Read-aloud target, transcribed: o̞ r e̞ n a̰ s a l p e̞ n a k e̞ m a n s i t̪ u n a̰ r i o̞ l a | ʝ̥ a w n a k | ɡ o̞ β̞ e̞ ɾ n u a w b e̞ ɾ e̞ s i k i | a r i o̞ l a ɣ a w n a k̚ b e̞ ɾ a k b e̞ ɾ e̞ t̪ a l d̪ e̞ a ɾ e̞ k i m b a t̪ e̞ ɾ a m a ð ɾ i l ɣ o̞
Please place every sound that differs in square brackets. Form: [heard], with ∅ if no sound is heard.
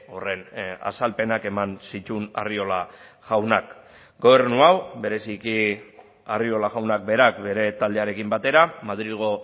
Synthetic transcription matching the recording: o̞ r e̞ n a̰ s a l p e̞ n a k e̞ m a n s i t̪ u n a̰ r i o̞ l a | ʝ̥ a w n a k | ɡ o̞ β̞ e̞ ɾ n u a w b e̞ ɾ e̞ s i k i | a r i o̞ l a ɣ a w n a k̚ b e̞ ɾ a k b e̞ ɾ e̞ t̪ a l d̪ e̞ a ɾ e̞ k i m b a t̪ e̞ ɾ a m a ð ɾ i l ɣ o̞